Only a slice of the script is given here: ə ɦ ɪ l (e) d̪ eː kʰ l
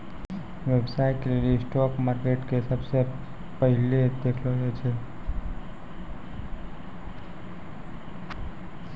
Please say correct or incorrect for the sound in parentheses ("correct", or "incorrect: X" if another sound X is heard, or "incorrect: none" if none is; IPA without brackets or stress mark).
correct